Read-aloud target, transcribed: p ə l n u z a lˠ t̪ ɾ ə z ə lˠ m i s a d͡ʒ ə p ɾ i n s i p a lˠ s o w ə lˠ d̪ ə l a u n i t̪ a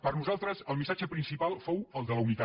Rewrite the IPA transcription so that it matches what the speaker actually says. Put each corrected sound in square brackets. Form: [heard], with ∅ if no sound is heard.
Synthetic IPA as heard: p ə [ɾ] n u z a lˠ t̪ ɾ ə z ə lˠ m i s a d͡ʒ ə p ɾ i n s i p a lˠ [f] o w ə lˠ d̪ ə l [ə] u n i t̪ a